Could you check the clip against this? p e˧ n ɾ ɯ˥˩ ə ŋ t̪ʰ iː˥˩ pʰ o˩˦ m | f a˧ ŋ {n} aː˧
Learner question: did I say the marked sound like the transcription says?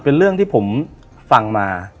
no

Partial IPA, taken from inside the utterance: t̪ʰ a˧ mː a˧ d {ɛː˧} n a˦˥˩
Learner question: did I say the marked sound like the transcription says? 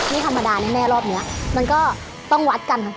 no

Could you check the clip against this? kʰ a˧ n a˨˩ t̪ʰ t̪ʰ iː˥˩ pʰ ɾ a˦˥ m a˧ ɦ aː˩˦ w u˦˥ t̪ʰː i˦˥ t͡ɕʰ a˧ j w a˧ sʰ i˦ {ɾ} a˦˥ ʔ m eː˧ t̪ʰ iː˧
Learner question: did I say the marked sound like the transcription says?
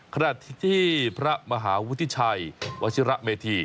yes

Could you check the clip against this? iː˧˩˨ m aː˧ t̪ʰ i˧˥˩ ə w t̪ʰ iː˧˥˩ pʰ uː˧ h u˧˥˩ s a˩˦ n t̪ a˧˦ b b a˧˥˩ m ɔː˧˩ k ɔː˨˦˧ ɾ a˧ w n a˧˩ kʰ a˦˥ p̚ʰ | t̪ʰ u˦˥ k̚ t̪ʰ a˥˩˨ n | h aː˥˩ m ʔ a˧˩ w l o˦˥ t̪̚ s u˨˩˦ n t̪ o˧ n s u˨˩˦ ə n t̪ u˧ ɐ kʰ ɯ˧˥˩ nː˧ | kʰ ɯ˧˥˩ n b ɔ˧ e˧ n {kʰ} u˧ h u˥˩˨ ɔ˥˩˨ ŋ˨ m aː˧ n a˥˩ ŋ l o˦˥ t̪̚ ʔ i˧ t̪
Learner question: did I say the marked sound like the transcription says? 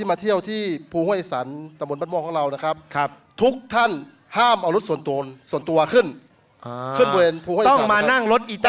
no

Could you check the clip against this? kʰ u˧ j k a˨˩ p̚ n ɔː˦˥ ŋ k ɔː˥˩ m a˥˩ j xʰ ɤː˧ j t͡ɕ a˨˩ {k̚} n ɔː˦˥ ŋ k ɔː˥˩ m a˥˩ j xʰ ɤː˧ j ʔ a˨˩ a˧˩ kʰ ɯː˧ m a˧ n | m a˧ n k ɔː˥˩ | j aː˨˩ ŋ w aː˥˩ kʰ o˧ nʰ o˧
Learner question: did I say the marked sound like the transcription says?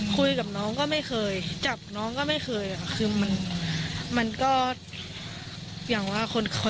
no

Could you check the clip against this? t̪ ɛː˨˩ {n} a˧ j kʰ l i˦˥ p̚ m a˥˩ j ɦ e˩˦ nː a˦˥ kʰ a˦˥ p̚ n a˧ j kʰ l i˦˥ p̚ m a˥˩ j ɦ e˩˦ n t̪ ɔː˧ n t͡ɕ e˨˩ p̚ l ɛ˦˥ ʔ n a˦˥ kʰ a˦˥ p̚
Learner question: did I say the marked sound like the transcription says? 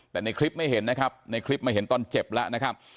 yes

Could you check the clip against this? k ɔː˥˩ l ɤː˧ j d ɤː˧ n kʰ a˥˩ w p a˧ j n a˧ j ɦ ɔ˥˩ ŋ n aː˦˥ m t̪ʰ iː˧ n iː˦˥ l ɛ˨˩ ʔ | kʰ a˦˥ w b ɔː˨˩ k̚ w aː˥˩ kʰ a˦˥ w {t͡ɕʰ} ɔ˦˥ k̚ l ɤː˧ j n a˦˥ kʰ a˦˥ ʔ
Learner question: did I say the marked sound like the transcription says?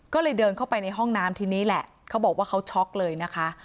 yes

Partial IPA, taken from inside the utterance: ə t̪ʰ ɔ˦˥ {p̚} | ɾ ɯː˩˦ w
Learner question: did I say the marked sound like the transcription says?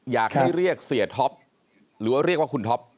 yes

